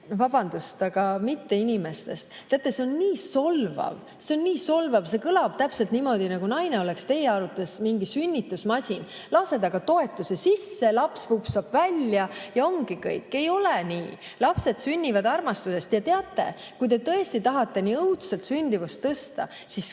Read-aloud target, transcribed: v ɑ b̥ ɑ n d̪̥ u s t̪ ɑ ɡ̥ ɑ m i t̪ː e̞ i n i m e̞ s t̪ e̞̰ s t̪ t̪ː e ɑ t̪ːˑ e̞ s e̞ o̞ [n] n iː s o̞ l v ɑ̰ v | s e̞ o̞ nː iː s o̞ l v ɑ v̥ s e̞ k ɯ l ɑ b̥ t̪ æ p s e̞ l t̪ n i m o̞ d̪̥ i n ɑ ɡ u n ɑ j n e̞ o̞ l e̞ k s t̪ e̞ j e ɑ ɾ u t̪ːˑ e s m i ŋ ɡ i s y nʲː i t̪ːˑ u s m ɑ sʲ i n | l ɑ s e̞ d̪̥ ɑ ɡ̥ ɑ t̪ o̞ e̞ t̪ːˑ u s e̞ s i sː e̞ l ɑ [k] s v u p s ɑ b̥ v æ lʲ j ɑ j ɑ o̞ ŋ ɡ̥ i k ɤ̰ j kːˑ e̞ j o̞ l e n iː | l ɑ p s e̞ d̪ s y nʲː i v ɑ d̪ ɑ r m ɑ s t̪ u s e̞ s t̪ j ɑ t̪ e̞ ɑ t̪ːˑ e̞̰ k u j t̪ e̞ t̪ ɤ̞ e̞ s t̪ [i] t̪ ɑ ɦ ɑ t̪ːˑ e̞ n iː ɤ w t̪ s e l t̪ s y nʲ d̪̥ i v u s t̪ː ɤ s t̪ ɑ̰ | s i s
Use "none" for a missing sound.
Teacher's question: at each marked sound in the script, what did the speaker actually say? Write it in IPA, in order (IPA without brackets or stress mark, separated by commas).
n, p, i